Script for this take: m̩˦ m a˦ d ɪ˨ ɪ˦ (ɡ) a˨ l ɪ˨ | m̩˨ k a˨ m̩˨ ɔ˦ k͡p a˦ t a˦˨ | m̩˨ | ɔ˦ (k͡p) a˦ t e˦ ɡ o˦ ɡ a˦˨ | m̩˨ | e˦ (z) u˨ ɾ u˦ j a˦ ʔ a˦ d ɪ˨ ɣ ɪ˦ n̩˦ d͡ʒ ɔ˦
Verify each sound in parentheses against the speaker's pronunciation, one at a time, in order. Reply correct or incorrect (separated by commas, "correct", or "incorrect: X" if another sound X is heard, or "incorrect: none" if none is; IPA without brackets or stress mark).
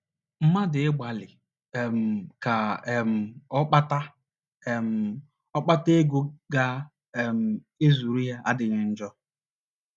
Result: incorrect: ɡ͡b, correct, correct